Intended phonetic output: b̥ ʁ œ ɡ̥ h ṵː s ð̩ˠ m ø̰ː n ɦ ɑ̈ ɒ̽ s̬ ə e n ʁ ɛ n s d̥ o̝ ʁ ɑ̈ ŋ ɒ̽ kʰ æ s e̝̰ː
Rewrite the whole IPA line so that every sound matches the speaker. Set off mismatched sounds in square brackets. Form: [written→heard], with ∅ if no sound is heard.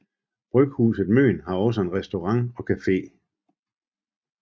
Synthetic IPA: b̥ ʁ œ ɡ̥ h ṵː s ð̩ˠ m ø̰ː n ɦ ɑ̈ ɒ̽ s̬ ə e n ʁ ɛ [n→∅] s d̥ o̝ ʁ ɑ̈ ŋ ɒ̽ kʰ æ [s→f] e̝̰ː